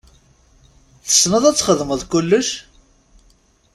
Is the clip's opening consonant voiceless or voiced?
voiceless